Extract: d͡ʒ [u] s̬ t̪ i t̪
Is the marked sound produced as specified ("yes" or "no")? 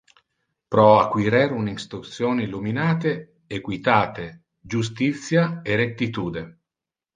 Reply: yes